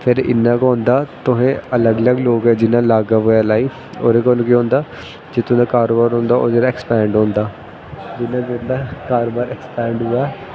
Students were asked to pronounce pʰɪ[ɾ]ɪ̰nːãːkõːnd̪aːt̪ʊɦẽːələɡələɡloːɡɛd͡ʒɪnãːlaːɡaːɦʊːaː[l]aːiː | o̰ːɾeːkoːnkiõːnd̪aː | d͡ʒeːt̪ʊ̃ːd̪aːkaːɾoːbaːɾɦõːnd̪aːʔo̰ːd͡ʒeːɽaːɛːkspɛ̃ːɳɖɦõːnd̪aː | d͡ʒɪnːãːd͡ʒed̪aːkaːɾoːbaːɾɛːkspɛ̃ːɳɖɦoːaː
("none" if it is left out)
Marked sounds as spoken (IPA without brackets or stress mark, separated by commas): ɾ, l